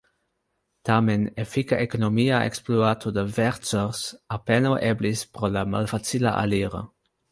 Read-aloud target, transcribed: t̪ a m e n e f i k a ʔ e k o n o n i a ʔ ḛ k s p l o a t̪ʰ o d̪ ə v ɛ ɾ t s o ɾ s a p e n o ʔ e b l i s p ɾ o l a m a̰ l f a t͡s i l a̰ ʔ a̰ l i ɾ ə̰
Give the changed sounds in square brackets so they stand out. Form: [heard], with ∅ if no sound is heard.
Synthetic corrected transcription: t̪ a m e n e f i k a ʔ e k o n o [m] i a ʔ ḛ k s p l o a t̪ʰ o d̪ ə v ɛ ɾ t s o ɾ s a p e n o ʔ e b l i s p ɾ o l a m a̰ l f a t͡s i l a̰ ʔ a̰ l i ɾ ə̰

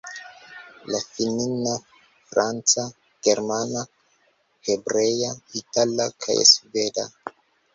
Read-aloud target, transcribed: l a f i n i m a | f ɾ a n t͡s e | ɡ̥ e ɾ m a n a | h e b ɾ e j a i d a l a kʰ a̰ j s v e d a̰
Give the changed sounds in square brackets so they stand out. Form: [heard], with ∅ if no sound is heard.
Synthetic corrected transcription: l a f i n i [n] a | f ɾ a n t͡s [a] | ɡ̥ e ɾ m a n a | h e b ɾ e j a i [t] a l a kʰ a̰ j s v e d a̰

